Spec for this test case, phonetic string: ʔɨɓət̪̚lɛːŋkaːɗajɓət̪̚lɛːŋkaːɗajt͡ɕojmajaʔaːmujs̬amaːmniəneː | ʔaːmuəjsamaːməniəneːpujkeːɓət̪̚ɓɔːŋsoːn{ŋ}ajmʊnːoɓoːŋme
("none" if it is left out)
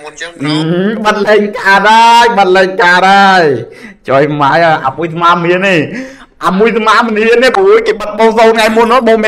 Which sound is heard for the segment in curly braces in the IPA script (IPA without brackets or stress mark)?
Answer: ŋ